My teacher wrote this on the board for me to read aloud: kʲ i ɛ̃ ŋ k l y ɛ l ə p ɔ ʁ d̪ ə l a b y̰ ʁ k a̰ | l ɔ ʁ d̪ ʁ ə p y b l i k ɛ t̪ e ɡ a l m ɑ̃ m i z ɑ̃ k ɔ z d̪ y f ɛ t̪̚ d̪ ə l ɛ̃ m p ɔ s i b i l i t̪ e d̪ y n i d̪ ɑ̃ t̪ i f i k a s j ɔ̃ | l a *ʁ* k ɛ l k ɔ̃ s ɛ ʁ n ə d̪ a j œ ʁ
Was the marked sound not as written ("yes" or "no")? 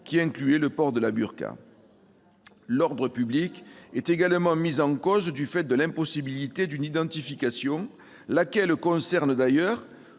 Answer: yes